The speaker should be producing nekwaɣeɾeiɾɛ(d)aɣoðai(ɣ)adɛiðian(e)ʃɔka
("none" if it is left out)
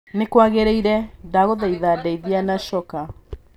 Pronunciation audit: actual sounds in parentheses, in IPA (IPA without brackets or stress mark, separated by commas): d, ð, a